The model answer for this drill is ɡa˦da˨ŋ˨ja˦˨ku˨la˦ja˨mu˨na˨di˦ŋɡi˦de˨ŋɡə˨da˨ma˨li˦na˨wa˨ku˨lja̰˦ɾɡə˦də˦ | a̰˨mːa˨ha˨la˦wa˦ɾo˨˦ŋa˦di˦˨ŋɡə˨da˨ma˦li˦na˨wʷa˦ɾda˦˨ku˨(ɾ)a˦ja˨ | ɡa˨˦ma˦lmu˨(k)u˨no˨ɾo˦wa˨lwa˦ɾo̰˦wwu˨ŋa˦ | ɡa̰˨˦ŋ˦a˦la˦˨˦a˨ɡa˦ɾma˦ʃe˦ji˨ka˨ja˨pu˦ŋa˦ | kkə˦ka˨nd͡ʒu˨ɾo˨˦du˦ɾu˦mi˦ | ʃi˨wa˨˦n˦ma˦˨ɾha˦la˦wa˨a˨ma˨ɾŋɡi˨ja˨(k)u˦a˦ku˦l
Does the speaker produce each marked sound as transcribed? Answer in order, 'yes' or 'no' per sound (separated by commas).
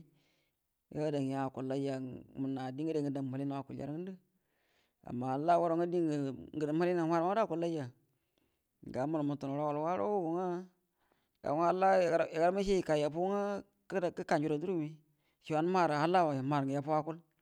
no, no, no